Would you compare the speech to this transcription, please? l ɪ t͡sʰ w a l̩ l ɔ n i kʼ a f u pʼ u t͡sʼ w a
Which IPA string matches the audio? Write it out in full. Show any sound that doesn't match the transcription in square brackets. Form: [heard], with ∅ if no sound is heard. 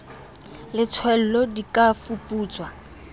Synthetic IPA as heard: l ɪ t͡sʰ w [ɛ] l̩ l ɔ [d] i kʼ a f u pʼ [uː] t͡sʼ w a